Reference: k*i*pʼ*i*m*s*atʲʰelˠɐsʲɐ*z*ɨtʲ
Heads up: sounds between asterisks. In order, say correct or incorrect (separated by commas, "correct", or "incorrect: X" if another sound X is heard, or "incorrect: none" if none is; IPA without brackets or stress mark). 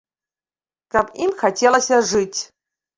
incorrect: a, correct, incorrect: x, incorrect: ʐ